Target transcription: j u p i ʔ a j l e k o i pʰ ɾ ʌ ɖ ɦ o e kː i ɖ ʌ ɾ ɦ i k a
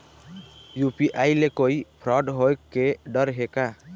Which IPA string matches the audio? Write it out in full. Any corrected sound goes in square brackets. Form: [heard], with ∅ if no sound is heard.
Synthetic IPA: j u p i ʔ a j l e k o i pʰ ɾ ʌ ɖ ɦ o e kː [e] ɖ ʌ ɾ ɦ [e] k a